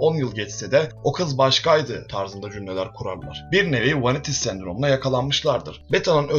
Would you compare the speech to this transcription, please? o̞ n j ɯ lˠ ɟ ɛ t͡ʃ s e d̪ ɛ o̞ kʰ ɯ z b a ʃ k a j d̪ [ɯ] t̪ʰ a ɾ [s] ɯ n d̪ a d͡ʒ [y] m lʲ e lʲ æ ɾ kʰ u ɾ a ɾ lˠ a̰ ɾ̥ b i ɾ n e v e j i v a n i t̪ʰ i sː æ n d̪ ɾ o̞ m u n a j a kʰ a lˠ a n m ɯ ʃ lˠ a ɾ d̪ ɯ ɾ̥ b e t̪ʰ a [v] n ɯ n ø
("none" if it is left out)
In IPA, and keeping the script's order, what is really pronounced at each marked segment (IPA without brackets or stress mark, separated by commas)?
ɯ, z, y, none